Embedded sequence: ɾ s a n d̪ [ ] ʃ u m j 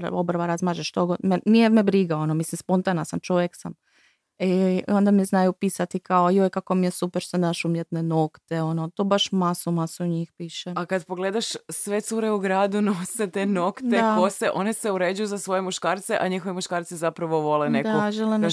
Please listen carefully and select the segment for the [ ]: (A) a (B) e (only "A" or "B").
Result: A